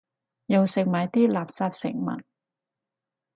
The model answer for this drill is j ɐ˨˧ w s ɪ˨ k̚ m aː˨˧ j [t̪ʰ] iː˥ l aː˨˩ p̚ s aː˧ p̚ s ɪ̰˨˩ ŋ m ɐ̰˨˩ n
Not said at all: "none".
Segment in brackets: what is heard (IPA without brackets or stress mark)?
t̪